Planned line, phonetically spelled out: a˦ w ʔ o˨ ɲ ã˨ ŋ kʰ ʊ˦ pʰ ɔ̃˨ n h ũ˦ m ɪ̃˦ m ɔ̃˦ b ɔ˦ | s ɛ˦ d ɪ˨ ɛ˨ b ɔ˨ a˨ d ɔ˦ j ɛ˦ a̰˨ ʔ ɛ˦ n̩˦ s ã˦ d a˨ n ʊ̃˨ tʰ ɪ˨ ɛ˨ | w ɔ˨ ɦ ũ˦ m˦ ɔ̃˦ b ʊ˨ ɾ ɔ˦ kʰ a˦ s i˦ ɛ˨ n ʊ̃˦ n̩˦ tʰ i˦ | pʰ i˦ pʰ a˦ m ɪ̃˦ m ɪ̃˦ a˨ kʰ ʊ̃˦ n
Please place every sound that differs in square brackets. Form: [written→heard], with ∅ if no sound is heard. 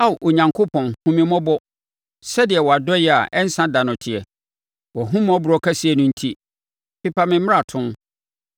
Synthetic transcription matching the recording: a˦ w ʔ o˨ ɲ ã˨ ŋ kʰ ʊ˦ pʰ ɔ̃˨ n h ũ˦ m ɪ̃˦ m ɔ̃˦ b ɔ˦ | s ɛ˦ d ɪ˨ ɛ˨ [b→w] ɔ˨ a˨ d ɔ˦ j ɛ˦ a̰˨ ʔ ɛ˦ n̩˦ s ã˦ d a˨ n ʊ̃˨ tʰ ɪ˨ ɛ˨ | w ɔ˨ ɦ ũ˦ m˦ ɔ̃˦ b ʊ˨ ɾ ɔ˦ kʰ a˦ s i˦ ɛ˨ n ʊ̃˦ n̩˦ tʰ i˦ | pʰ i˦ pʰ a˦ m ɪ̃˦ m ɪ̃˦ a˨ [kʰ→tʰ] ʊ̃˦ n